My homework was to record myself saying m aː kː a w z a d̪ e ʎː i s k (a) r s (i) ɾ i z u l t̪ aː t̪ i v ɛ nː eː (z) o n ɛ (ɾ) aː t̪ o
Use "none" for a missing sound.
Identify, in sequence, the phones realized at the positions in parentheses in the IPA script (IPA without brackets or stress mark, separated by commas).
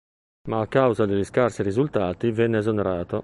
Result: a, i, z, ɾ